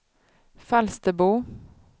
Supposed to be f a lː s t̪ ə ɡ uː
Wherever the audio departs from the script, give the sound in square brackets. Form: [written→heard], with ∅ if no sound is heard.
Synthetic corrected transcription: f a [lː→l] s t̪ ə [ɡ→b] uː